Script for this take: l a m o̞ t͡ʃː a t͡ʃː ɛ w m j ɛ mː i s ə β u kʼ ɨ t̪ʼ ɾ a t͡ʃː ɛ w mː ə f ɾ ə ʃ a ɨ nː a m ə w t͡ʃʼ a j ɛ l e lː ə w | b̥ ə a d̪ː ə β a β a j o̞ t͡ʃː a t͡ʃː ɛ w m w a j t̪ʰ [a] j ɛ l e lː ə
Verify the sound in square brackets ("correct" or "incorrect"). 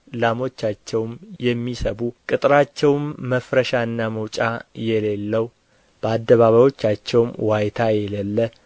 correct